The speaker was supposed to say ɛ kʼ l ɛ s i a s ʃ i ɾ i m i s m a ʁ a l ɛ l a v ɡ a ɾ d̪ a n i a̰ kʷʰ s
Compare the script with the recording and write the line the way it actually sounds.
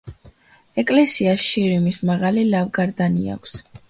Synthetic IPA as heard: ɛ kʼ l ɛ s i a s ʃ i ɾ i m i s m a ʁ a l i l a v ɡ a ɾ d̪ a n i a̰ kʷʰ s